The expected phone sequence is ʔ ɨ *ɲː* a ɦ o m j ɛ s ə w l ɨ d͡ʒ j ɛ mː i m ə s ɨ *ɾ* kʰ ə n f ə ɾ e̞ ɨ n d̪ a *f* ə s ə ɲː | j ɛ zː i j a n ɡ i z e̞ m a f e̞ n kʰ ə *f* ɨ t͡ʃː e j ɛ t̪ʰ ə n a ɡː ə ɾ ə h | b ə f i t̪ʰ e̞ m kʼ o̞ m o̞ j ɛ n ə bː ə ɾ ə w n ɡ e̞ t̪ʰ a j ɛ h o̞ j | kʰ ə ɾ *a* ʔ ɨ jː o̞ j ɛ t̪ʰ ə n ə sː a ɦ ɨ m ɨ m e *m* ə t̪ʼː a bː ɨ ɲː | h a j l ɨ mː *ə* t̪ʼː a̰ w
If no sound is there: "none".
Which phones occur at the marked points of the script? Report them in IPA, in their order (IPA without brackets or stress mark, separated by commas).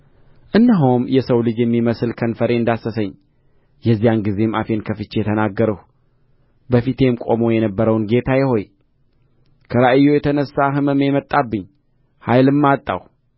nː, l, s, f, a, m, a